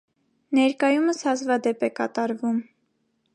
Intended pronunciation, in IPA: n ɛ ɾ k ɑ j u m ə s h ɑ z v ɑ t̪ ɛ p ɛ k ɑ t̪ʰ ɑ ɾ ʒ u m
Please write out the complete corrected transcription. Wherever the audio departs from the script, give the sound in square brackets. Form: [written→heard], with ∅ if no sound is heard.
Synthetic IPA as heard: n ɛ ɾ k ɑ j u m ə s h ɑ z v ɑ [t̪→d̪] ɛ p ɛ k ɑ [t̪ʰ→t̪] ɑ ɾ [ʒ→v] u m